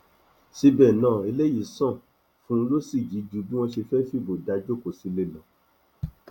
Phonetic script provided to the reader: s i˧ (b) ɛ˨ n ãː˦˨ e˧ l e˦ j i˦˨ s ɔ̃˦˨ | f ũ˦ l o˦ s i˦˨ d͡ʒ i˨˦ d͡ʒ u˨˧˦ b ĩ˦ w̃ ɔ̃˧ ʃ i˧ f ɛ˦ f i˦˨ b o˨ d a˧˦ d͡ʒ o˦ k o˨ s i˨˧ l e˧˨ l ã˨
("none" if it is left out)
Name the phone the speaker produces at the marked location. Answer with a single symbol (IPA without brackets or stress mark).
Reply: b